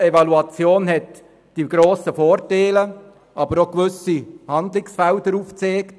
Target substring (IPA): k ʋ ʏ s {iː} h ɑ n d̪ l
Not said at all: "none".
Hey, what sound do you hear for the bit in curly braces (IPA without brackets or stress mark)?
i